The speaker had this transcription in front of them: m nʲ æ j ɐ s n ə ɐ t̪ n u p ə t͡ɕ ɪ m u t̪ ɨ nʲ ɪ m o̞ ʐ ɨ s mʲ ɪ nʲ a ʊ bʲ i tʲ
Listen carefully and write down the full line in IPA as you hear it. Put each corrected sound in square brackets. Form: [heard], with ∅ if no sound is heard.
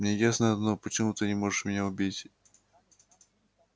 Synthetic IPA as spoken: m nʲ [e] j [a] s n ə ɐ [d̪] n [o] p ə t͡ɕ ɪ m u t̪ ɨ nʲ ɪ m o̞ ʐ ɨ [ʂ] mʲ ɪ nʲ a ʊ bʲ i tʲ